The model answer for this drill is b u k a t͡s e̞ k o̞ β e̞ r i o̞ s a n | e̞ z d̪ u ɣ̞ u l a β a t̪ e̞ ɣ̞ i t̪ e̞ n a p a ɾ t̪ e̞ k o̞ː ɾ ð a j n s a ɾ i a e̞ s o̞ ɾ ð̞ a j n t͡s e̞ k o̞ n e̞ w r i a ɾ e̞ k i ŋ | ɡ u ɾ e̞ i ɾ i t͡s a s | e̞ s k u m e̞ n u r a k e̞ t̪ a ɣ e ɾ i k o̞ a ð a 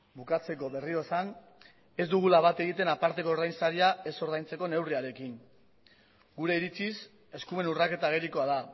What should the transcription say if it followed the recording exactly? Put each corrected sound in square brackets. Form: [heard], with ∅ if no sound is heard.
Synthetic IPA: b u k a t͡s e̞ k o̞ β e̞ r i o̞ s a n | e̞ z d̪ u ɣ̞ u l a β a t̪ e̞ ɣ̞ i t̪ e̞ n a p a ɾ t̪ e̞ k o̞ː ɾ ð a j n s a ɾ i a e̞ s o̞ ɾ ð̞ a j n t͡s e̞ k o̞ n e̞ w r i a ɾ e̞ k i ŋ | ɡ u ɾ e̞ i ɾ i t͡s [i] s | e̞ s k u m e̞ n u r a k e̞ t̪ a ɣ e ɾ i k o̞ a ð a